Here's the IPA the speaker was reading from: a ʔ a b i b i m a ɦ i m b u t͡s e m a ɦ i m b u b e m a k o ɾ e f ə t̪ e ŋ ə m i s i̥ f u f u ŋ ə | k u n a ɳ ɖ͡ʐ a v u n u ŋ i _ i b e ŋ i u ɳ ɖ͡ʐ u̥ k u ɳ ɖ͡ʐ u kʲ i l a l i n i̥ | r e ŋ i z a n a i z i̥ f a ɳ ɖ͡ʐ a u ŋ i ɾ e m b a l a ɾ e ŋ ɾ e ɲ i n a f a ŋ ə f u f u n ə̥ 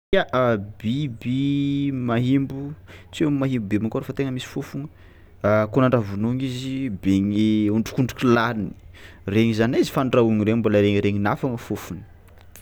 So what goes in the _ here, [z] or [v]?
z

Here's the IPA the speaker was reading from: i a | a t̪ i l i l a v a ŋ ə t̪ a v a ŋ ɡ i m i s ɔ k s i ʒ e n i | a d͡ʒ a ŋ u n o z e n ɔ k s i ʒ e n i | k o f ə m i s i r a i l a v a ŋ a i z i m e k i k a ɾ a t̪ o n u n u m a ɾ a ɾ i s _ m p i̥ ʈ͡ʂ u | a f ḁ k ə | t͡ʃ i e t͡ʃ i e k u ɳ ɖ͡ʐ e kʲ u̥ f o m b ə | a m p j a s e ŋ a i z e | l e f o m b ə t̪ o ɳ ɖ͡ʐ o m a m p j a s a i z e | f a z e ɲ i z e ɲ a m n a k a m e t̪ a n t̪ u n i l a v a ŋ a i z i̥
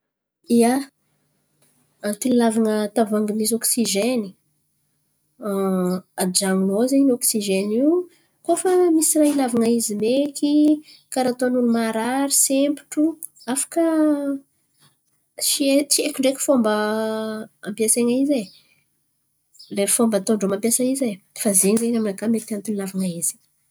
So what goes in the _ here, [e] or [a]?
e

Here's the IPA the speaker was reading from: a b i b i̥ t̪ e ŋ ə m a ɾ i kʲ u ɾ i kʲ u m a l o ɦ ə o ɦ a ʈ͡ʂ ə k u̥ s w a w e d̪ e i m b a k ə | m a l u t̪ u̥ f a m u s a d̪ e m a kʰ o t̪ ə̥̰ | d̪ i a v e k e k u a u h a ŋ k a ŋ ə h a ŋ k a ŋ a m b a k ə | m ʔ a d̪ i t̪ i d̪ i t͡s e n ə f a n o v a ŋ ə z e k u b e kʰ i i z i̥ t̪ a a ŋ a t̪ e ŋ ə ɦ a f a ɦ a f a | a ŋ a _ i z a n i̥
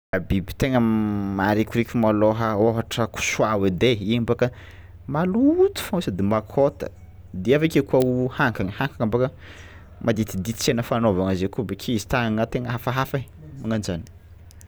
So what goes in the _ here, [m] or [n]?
n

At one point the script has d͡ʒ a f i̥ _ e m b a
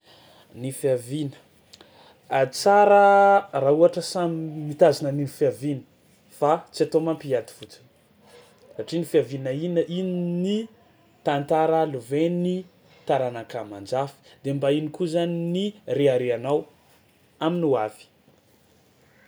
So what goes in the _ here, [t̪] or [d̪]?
d̪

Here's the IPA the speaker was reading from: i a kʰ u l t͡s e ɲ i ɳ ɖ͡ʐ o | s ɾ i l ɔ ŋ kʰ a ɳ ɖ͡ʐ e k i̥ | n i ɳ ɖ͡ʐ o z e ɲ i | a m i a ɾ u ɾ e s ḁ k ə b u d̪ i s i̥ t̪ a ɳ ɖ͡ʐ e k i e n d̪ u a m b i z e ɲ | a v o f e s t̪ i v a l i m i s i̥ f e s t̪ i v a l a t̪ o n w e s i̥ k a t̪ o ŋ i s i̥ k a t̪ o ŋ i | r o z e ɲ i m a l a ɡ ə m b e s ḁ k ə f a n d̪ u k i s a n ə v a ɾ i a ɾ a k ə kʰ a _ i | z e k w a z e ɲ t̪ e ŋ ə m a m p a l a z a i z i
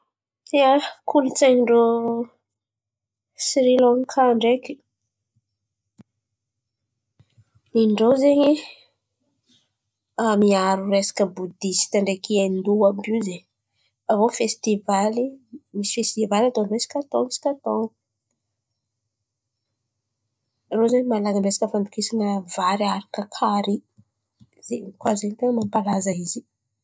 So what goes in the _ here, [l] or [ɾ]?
ɾ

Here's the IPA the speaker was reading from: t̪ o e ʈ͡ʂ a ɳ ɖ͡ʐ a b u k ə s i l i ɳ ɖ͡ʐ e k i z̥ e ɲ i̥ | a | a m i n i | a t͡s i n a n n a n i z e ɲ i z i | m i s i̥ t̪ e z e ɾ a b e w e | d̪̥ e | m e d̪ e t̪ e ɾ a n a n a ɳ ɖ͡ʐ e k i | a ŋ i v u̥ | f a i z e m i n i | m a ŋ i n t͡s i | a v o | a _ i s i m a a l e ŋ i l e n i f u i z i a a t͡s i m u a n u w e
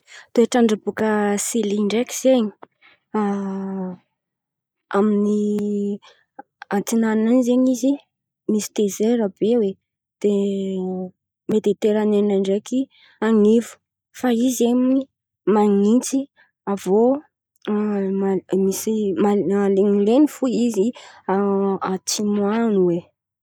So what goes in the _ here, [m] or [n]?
m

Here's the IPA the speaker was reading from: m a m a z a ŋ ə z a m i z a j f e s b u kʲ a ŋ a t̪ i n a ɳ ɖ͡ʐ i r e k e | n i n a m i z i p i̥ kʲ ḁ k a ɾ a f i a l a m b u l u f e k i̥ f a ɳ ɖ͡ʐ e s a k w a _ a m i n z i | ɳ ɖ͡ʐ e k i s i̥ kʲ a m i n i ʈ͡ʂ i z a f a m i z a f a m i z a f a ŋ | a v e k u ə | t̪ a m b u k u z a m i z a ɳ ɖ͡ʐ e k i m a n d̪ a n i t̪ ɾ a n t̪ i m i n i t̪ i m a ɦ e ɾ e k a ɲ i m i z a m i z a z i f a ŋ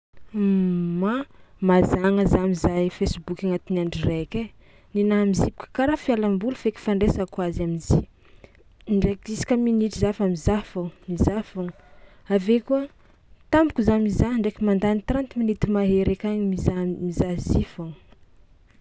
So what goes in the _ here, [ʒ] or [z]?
z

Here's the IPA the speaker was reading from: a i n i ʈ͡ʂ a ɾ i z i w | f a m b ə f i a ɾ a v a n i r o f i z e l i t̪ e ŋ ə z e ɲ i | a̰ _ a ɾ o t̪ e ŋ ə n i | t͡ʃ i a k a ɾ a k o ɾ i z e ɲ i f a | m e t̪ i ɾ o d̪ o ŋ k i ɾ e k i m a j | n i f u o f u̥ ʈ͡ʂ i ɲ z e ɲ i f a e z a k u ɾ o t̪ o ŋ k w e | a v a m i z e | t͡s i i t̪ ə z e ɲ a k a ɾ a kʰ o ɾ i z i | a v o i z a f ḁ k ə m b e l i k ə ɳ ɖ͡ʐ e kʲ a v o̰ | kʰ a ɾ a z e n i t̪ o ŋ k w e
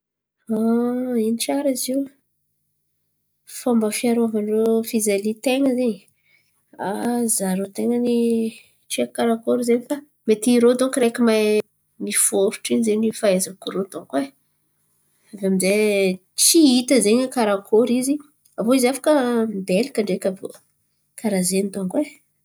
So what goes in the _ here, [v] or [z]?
z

